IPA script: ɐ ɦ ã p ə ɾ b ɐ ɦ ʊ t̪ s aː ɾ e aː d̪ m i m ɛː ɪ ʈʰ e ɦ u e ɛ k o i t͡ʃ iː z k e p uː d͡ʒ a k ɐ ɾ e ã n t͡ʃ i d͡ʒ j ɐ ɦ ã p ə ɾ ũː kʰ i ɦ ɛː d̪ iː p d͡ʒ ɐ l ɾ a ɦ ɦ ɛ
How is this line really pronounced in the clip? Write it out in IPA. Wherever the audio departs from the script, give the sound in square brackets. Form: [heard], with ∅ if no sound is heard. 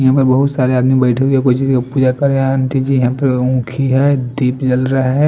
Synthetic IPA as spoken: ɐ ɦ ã p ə ɾ b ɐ ɦ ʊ t̪ s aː ɾ e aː d̪ m i [b] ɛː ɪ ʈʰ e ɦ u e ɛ k o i t͡ʃ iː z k [a] p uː d͡ʒ a k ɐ ɾ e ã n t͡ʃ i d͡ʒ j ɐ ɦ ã p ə ɾ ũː kʰ i ɦ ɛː d̪ iː p d͡ʒ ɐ l ɾ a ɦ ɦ ɛ